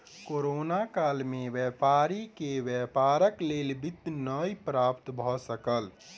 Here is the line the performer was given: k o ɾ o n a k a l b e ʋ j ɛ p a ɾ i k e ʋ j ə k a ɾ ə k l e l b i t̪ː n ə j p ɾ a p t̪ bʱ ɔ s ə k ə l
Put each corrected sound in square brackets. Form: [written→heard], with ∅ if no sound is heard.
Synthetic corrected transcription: k o ɾ o n a k a l [b→m] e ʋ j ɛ p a ɾ i k e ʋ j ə [k→p] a ɾ ə k l e l b i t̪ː n ə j p ɾ a p t̪ bʱ ɔ s ə k ə l